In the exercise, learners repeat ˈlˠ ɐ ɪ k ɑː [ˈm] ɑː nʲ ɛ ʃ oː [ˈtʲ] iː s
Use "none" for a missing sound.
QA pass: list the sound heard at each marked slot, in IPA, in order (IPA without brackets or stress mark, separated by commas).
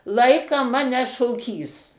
m, kʲ